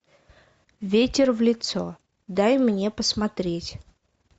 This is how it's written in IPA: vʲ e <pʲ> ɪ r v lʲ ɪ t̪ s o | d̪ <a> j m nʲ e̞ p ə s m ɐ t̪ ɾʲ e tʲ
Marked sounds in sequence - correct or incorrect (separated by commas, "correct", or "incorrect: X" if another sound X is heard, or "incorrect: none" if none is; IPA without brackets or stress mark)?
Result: incorrect: tʲ, correct